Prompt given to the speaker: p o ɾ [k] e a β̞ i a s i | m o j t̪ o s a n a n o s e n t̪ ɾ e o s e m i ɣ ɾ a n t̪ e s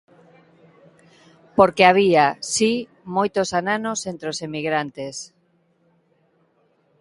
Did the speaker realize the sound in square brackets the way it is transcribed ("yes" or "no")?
yes